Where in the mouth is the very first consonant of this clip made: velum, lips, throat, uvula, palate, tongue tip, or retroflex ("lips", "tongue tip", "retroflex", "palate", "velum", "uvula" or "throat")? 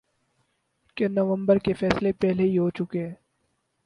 velum